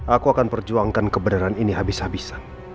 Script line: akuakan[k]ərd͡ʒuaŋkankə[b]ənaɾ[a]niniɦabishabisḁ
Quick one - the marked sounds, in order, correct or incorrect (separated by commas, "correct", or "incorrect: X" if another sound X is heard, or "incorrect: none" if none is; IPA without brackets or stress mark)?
incorrect: p, correct, correct